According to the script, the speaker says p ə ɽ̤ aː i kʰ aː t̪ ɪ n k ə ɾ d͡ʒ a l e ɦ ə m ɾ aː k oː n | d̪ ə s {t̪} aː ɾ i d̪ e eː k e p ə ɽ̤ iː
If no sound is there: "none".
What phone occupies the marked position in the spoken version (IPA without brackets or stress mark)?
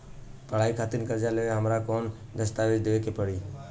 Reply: t̪